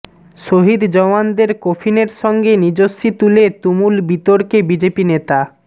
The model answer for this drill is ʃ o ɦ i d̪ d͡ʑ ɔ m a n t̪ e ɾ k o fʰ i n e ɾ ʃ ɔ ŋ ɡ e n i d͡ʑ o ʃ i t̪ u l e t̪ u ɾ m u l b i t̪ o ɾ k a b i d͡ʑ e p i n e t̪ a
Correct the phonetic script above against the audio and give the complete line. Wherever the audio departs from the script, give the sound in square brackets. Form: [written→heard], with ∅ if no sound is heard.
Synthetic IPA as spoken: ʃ o ɦ i d̪ d͡ʑ ɔ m a n [t̪→d̪] e ɾ k o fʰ i n e ɾ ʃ ɔ ŋ ɡ e n i d͡ʑ o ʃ i t̪ u l e t̪ u [ɾ→∅] m u l b i t̪ o ɾ k [a→e] b i d͡ʑ e p i n e t̪ a